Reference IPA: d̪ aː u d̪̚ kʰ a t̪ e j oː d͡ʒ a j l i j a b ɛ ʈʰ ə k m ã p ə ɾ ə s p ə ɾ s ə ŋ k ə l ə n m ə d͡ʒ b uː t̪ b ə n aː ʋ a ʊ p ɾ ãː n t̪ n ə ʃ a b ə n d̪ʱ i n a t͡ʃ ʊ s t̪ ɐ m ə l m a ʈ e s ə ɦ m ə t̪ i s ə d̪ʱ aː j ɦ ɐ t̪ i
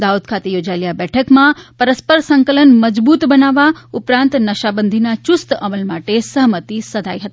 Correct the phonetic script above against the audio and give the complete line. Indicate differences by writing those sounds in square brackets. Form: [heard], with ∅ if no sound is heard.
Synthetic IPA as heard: d̪ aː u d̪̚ kʰ a t̪ e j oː d͡ʒ a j l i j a b ɛ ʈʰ ə k m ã p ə ɾ ə s p ə ɾ s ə ŋ k ə l ə n m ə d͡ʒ b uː t̪ b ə n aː ʋ a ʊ p ɾ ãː n t̪ n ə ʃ a b ə n d̪ʱ i n a t͡ʃ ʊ s t̪ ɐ m ə l m a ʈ e s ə ɦ m ə t̪ i s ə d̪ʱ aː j ɦ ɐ t̪ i